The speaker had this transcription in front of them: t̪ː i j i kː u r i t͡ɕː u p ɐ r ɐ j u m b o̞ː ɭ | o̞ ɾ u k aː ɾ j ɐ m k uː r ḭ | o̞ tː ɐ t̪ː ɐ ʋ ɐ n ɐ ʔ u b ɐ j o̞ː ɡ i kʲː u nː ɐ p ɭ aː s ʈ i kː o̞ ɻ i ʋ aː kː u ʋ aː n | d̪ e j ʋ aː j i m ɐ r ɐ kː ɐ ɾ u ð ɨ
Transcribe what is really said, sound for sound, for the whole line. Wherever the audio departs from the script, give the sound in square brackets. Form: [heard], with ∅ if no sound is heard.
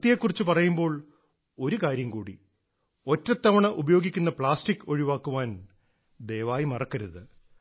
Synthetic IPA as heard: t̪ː i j [e] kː u r i t͡ɕː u p ɐ r ɐ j u m b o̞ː ɭ | o̞ ɾ u k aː ɾ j ɐ m k uː [ɽ] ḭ | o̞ tː ɐ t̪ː ɐ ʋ ɐ [ɳ] ɐ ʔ u b ɐ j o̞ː ɡ i kʲː u nː ɐ p ɭ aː s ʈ i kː o̞ ɻ i ʋ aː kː u ʋ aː n | d̪ e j ʋ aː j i m ɐ r ɐ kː ɐ ɾ u ð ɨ